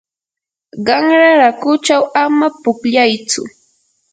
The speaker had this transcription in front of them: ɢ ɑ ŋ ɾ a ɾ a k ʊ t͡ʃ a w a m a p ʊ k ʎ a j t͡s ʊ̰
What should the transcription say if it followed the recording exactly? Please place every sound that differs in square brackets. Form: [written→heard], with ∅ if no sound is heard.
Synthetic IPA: ɢ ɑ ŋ ɾ a ɾ a k ʊ t͡ʃ a w a m a p ʊ k ʎ a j t͡s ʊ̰

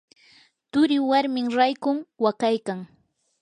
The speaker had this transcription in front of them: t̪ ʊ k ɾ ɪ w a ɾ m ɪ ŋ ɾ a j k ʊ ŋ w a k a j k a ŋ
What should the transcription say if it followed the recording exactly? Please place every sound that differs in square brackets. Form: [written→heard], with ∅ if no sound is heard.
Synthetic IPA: t̪ ʊ [k→∅] ɾ ɪ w a ɾ m ɪ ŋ ɾ a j k ʊ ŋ w a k a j k a ŋ

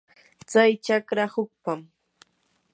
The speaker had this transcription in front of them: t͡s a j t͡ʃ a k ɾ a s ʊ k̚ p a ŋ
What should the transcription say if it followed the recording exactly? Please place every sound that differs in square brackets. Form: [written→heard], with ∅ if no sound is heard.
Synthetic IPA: t͡s a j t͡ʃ a k ɾ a [s→h] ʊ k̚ p a [ŋ→m]

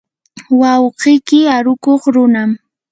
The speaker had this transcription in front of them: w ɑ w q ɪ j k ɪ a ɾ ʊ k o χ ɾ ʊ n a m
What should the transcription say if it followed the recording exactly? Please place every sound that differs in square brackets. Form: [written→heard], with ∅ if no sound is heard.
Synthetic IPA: w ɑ w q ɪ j k ɪ a ɾ ʊ k o χ ɾ ʊ n a m

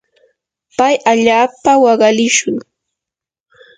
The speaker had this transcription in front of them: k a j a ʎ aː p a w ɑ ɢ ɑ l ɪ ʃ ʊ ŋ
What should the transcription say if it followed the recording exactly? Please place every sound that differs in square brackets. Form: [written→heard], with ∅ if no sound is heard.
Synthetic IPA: [k→p] a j a ʎ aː p a w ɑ ɢ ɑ l ɪ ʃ ʊ ŋ

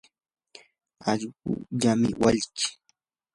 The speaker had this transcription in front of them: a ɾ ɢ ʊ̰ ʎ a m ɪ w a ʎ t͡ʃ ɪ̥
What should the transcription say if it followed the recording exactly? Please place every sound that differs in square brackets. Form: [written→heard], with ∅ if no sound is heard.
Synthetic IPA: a [ɾ→ʎ] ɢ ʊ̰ ʎ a m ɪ w a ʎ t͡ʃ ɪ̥

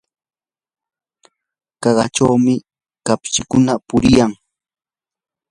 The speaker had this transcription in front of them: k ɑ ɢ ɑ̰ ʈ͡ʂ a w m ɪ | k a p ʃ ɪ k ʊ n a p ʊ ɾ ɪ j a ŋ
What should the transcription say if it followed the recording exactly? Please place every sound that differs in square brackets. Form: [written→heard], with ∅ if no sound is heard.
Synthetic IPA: k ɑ ɢ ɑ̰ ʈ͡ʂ a w m ɪ | k a p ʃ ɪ k ʊ n a p ʊ ɾ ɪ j a ŋ

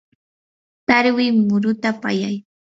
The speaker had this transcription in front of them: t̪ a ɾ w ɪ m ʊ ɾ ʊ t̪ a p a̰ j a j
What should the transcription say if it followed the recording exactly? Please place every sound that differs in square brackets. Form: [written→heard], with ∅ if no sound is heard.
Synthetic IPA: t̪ a ɾ w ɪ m ʊ ɾ ʊ t̪ a p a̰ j a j

